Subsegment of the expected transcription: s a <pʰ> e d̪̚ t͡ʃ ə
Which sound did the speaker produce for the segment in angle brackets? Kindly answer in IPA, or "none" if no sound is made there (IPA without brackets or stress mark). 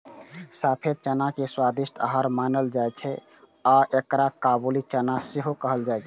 pʰ